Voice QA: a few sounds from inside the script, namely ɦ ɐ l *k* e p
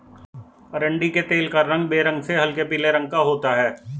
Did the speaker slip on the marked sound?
no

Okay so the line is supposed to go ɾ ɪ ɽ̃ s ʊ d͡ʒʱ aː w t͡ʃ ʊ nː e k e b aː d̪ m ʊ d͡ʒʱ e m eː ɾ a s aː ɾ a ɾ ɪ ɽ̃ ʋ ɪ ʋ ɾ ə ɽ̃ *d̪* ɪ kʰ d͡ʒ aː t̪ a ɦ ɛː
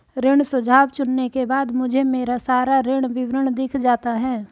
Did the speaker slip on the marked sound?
no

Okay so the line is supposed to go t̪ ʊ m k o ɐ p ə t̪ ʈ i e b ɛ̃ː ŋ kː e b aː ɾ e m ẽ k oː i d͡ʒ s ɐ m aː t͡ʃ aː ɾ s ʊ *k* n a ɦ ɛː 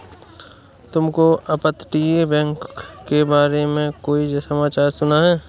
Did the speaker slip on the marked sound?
yes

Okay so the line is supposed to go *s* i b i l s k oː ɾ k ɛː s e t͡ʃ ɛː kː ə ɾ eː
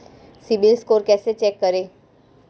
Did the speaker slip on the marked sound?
no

